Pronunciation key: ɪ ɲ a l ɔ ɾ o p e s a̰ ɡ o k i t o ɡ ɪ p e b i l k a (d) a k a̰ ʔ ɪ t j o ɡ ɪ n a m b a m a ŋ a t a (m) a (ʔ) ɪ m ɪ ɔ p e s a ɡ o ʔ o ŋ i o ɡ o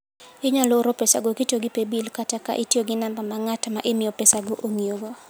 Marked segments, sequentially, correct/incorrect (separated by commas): incorrect, correct, correct